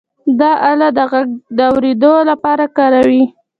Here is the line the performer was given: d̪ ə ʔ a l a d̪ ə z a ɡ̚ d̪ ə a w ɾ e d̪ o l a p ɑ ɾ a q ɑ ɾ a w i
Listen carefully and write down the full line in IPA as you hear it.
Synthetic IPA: d̪ ɑ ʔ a l a d̪ ə ɣ a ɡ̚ d̪ ə a w ɾ e d̪ o l a p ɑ ɾ a k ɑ ɾ a w i